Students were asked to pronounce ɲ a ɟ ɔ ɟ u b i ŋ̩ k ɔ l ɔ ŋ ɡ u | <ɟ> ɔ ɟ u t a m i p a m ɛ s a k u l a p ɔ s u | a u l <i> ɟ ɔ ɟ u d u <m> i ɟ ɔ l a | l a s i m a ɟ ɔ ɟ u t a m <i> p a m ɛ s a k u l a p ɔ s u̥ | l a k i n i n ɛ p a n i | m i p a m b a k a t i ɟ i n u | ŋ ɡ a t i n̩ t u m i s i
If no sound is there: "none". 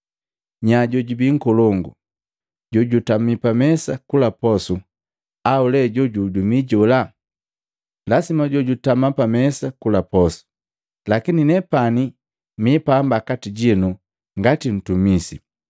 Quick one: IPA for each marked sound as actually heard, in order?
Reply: ɟ, ɛ, m, a

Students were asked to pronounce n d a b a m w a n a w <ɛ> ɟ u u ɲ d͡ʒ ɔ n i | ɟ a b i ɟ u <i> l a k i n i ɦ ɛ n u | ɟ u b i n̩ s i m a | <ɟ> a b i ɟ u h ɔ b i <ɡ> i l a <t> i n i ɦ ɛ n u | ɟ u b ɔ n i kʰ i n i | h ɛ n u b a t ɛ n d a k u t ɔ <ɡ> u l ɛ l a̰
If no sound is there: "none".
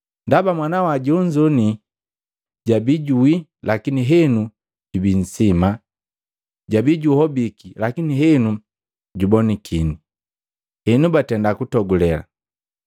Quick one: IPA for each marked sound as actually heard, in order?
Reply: a, i, ɟ, k, k, ɡ

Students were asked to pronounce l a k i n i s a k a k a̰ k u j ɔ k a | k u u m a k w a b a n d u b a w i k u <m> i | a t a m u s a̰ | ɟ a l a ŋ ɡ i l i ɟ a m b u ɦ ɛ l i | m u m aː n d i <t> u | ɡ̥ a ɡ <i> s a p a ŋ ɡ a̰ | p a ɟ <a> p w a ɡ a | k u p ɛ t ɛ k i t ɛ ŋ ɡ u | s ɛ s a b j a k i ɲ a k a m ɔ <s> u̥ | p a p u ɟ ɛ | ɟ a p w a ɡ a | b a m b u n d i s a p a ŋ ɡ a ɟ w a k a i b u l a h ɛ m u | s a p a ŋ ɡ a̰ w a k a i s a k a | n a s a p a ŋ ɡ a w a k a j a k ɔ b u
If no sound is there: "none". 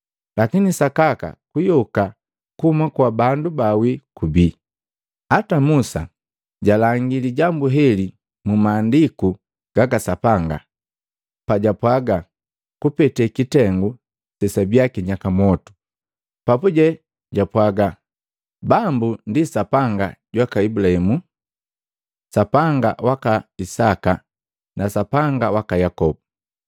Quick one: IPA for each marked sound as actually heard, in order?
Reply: b, k, a, a, t

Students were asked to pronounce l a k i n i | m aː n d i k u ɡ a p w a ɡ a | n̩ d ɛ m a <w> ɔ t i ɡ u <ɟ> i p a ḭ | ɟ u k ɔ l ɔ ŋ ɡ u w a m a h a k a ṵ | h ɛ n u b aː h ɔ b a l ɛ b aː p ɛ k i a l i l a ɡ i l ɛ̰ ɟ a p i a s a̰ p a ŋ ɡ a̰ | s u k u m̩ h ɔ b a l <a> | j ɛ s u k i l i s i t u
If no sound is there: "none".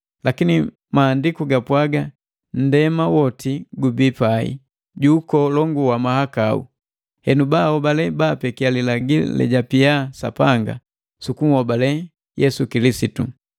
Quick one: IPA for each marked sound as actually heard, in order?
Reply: w, b, ɛ

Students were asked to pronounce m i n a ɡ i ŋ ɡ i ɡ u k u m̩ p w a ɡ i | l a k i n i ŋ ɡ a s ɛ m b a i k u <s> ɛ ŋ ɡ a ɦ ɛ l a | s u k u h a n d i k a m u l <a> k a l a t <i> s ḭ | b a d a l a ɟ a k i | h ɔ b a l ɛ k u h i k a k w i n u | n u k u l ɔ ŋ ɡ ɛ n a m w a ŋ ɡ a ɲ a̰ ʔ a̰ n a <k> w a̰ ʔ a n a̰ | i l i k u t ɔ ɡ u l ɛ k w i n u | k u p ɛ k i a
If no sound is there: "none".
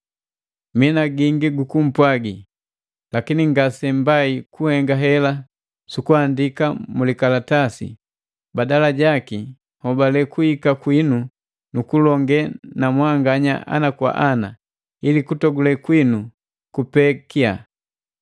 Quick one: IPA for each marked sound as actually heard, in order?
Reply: h, i, a, k

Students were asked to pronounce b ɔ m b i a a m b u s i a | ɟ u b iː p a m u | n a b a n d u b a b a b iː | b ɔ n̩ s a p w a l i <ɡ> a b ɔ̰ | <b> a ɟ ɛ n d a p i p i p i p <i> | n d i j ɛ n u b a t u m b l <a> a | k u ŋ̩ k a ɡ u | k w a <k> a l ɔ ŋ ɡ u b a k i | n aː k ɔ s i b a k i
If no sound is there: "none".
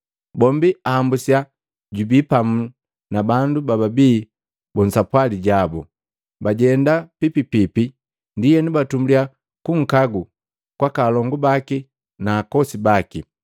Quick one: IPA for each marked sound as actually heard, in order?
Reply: ɟ, b, i, i, k

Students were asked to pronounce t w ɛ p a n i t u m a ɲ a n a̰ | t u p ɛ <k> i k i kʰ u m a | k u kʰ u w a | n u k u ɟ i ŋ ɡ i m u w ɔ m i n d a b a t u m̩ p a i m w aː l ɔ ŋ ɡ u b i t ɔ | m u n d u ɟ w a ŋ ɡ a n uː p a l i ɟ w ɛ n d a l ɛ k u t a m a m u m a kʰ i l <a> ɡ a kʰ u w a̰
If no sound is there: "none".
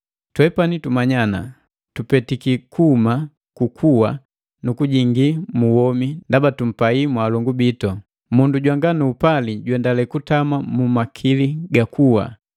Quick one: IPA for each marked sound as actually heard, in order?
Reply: t, i

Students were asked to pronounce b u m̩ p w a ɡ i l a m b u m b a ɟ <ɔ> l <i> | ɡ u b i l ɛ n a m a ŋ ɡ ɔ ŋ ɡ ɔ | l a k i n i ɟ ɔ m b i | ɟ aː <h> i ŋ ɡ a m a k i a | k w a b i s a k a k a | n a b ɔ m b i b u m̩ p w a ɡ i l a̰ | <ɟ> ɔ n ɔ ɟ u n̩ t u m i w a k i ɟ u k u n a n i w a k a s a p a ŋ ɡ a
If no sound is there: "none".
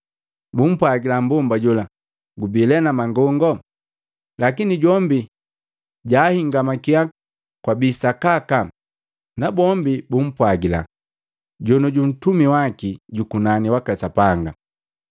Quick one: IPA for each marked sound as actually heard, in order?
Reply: u, a, h, ɟ

